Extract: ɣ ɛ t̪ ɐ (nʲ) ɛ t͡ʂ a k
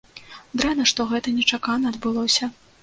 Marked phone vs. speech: correct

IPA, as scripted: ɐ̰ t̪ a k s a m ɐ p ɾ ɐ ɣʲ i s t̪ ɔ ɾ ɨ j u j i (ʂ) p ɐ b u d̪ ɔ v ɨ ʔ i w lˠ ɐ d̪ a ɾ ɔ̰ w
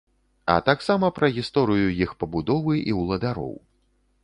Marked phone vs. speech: incorrect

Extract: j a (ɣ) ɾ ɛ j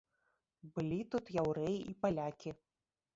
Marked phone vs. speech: incorrect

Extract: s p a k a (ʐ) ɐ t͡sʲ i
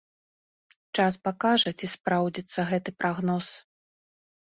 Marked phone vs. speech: correct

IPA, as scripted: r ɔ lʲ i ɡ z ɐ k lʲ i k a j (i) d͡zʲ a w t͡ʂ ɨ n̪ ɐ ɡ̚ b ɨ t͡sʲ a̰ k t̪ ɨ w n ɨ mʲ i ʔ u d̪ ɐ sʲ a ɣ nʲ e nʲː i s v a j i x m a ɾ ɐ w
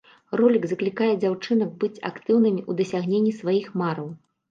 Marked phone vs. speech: incorrect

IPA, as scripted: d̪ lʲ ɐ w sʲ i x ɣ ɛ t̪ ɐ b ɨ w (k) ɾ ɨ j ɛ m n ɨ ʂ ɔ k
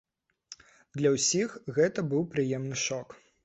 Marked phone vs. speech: incorrect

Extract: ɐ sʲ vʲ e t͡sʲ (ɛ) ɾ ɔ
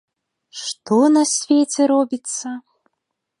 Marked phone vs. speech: correct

